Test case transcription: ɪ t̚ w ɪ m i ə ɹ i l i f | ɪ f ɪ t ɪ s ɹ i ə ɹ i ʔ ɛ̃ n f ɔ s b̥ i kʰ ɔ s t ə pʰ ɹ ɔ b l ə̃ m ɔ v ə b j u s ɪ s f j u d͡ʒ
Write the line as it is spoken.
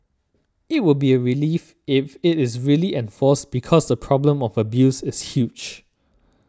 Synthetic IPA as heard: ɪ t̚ w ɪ b i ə ɹ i l i f | ɪ f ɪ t ɪ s ɹ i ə l i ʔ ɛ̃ n f ɔ s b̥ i kʰ ɔ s d ə pʰ ɹ ɔ b l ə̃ m ɔ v ə b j u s ɪ s h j u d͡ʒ